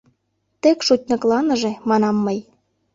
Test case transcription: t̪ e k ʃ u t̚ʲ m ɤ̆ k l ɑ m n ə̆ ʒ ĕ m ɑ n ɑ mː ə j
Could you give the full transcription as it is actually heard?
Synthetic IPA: t̪ e k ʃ u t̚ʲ n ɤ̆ k l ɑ n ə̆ ʒ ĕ m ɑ n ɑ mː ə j